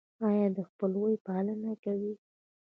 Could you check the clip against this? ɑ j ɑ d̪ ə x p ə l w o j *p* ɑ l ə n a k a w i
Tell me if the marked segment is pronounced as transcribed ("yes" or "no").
yes